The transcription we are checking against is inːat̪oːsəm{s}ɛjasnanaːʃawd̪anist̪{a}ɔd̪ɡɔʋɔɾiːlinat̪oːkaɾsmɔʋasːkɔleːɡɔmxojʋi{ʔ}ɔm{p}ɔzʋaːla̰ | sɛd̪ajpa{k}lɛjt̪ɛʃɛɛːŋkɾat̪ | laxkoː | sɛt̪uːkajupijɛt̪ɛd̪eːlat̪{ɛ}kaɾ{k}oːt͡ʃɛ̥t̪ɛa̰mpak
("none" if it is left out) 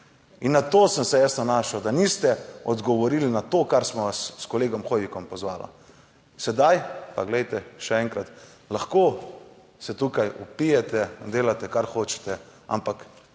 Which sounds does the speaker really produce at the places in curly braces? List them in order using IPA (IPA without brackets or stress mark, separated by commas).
s, ɛ, k, p, ɡ, ɛ, x